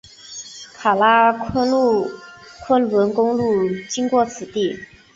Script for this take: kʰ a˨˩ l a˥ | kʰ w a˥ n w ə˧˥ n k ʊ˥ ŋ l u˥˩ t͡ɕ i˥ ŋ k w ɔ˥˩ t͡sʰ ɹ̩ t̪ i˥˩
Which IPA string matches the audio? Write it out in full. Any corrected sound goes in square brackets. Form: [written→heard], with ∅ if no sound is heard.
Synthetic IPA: kʰ a˨˩ l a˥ | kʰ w [a˥→ə˥] n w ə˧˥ n k ʊ˥ ŋ l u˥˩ t͡ɕ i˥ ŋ k w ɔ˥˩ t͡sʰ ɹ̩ t̪ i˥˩